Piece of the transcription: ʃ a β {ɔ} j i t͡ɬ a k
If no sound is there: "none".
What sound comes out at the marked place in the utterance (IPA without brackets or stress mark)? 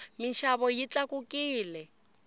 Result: ɔ